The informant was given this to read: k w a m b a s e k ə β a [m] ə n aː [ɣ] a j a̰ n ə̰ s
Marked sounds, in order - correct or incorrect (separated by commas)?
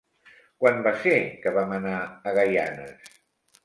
correct, correct